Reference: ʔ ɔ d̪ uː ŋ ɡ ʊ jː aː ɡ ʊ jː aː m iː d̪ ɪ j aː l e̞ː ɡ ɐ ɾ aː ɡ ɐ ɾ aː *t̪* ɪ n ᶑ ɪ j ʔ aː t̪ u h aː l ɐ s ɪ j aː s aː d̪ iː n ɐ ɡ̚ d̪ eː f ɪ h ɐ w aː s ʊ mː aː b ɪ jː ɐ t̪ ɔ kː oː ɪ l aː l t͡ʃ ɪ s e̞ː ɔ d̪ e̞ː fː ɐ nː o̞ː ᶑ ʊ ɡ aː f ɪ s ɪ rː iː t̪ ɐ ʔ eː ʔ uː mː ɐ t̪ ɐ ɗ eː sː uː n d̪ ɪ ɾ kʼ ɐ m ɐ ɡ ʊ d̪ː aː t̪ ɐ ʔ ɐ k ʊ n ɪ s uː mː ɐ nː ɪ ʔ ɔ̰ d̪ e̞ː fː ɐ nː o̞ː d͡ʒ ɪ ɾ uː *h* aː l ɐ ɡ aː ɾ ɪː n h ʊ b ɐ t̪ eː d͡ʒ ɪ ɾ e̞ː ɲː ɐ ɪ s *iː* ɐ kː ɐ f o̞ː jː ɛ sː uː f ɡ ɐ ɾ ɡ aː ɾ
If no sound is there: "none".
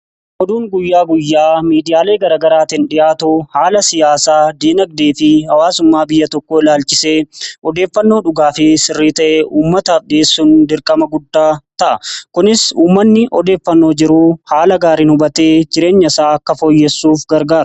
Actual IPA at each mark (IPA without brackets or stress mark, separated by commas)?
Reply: t̪, h, aː